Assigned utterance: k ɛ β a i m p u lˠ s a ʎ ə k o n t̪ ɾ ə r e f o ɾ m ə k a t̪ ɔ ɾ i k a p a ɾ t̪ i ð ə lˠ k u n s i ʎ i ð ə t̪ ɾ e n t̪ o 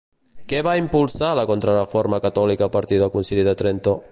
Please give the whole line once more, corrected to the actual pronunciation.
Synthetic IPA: k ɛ β a i m p u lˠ s a l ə k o n t̪ ɾ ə r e f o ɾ m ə k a t̪ ɔ l i k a p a ɾ t̪ i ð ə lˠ k u n s i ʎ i ð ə t̪ ɾ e n t̪ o